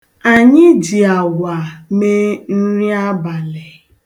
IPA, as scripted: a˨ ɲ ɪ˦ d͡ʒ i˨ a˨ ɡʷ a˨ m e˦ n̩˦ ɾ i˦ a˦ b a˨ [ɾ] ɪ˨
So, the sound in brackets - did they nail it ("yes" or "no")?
no